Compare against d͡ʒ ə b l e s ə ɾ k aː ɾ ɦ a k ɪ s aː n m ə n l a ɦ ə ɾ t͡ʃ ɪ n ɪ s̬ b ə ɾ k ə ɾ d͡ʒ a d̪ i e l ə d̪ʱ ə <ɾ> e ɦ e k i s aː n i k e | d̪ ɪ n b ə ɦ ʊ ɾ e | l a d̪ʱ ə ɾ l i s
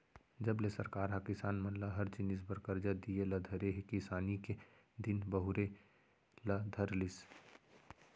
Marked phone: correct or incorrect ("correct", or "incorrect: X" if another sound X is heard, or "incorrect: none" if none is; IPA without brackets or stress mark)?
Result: correct